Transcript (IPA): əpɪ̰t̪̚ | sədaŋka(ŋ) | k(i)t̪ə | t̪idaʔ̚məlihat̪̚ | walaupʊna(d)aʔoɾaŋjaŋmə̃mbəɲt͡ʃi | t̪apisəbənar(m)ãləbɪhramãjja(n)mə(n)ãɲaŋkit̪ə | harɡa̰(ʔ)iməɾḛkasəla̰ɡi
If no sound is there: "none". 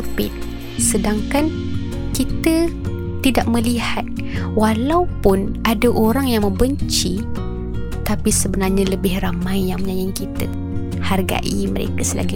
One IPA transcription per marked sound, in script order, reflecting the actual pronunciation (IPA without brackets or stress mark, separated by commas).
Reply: n, i, d, ɲ, ŋ, ɲ, ʔ